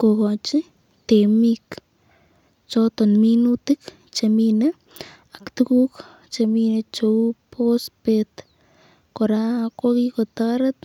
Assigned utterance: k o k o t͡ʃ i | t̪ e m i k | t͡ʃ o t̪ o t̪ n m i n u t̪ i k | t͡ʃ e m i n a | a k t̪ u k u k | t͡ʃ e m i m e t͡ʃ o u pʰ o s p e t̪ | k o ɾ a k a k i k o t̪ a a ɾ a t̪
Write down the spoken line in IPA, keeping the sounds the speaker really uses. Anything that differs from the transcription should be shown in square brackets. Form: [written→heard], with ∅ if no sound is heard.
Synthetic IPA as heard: k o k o t͡ʃ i | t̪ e m i k | t͡ʃ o t̪ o [t̪→∅] n m i n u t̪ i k | t͡ʃ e m i n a | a k t̪ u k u k | t͡ʃ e m i [m→n] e t͡ʃ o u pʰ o s p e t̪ | k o ɾ a k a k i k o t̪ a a ɾ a t̪